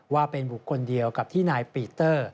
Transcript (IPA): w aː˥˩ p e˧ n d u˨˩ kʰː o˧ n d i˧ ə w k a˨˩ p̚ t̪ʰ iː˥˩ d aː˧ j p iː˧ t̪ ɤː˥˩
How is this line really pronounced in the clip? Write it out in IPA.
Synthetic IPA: w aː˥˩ p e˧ n b u˨˩ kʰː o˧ n d i˧ ə w k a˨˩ p̚ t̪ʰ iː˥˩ n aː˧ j p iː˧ t̪ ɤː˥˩